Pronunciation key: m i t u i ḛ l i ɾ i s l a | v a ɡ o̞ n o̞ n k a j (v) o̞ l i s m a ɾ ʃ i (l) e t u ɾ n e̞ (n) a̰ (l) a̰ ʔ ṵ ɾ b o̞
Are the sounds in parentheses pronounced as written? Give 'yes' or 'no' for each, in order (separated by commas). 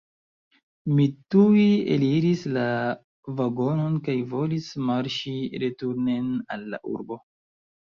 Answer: yes, no, yes, no